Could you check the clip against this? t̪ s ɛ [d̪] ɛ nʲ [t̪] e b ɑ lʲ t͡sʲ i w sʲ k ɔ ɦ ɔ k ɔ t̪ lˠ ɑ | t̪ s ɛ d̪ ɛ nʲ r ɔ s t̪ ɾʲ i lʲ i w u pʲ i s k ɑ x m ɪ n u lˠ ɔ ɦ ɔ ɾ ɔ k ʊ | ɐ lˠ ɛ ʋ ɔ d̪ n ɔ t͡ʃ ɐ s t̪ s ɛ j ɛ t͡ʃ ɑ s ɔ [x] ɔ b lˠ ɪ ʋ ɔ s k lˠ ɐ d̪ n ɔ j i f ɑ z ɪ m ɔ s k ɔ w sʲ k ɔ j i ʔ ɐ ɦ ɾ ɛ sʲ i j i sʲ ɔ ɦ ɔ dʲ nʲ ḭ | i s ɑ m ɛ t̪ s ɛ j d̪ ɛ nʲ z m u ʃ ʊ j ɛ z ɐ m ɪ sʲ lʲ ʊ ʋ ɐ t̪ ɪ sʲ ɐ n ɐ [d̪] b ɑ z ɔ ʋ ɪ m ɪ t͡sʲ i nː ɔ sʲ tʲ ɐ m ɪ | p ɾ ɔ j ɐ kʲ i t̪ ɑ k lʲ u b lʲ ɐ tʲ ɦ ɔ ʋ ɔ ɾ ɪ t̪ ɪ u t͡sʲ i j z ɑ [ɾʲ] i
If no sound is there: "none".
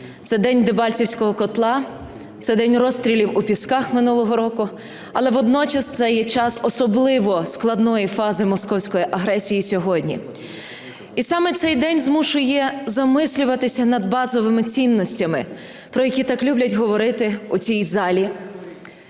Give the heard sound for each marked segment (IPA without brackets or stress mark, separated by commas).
d̪, d̪, s, d̪, lʲ